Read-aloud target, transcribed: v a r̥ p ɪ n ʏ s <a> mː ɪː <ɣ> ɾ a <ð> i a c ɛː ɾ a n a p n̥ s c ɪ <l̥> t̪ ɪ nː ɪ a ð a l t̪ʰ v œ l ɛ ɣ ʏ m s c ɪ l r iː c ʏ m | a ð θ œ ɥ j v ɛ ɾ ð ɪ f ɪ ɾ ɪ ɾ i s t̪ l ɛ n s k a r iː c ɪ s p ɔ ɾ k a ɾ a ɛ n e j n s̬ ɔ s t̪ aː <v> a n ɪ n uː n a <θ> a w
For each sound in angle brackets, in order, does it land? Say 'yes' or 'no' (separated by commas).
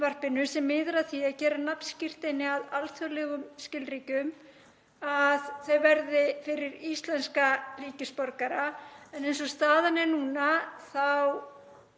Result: no, no, no, no, no, yes